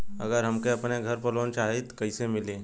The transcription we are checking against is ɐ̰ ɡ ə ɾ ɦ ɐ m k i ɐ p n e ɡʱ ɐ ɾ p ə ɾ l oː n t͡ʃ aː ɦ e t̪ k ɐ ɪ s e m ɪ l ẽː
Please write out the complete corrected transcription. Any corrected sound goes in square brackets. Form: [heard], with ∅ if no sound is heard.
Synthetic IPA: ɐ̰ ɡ ə ɾ ɦ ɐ m k [e] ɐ p n e ɡʱ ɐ ɾ p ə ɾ l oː n t͡ʃ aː ɦ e t̪ k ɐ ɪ s e m ɪ l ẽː